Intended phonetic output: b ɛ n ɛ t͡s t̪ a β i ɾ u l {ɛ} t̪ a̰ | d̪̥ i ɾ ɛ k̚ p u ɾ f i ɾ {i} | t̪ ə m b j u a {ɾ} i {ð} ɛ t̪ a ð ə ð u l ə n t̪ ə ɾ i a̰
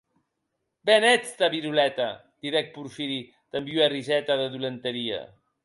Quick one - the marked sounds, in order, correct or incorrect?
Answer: correct, correct, incorrect: r, incorrect: z

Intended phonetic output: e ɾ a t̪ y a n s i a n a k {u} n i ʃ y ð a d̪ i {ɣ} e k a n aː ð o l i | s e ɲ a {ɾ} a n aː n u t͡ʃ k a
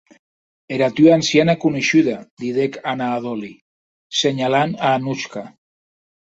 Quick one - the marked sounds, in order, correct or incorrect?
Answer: correct, incorrect: ð, incorrect: l

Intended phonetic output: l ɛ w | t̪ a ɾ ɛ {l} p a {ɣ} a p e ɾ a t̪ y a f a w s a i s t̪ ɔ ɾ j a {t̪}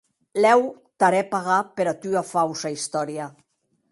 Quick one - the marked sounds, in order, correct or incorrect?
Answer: incorrect: none, correct, incorrect: none

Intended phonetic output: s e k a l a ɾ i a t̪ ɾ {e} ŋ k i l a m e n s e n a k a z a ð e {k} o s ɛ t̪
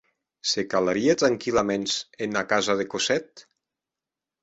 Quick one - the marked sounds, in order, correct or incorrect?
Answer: incorrect: a, correct

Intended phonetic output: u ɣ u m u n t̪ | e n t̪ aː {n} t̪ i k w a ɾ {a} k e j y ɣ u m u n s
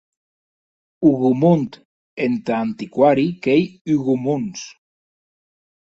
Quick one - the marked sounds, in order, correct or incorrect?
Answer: correct, incorrect: i

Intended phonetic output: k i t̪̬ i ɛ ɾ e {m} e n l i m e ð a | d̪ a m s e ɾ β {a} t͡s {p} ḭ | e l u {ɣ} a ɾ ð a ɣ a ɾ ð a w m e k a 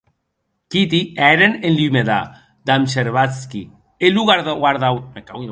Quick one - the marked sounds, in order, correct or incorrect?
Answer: incorrect: n, correct, incorrect: k, correct

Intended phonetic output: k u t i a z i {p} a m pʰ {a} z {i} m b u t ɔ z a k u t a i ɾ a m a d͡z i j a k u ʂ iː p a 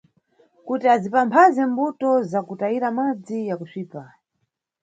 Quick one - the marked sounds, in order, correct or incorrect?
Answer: correct, correct, incorrect: ɛ

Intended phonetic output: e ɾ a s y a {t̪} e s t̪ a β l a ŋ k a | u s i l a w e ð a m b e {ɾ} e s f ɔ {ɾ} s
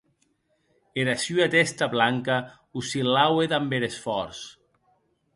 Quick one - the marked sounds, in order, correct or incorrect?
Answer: correct, correct, correct

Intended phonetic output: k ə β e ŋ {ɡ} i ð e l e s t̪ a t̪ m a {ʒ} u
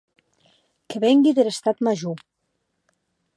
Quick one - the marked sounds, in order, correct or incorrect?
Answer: correct, correct

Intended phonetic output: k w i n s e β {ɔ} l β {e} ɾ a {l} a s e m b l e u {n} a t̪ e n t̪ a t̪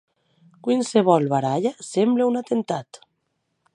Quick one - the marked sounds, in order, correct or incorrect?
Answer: correct, incorrect: a, incorrect: ʎ, correct

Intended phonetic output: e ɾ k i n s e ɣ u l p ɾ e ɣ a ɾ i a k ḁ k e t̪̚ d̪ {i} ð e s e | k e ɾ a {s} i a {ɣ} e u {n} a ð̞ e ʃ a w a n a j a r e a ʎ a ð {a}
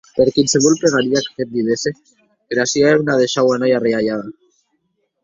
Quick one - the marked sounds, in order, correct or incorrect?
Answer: correct, correct, incorrect: none, correct, correct

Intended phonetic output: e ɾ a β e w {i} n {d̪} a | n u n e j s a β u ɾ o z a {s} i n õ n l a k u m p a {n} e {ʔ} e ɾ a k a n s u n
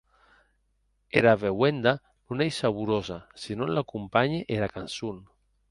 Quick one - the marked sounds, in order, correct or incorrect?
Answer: incorrect: e, correct, correct, incorrect: ɲ, correct

